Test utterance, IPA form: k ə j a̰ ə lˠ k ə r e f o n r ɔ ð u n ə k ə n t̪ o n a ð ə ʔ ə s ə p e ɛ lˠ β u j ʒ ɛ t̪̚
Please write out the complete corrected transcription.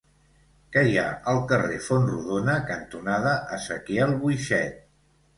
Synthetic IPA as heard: k ə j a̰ ə lˠ k ə r e f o n r u ð o n ə k ə n t̪ u n a ð ə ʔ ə s ə k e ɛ lˠ β u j ʃ ɛ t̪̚